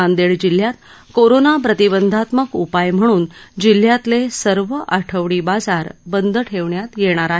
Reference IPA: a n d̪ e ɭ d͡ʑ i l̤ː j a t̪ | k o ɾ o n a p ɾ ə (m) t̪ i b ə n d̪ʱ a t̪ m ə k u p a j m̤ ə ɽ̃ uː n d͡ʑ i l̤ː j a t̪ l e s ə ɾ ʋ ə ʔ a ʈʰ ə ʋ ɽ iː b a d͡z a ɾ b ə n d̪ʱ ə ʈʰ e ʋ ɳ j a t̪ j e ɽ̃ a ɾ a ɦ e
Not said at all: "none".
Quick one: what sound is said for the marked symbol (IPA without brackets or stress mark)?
none